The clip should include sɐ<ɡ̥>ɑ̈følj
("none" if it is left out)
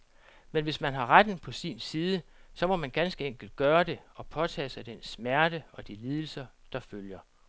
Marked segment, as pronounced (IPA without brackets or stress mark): d̥